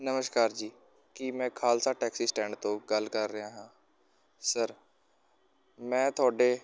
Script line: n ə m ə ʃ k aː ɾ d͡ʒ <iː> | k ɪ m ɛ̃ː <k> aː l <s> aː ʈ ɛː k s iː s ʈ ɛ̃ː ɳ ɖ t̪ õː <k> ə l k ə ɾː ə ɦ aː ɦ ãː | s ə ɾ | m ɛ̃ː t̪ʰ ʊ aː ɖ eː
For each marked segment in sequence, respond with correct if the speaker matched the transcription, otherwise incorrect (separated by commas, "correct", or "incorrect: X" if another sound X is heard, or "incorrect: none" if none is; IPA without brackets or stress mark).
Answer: correct, incorrect: kʰ, correct, incorrect: ɡ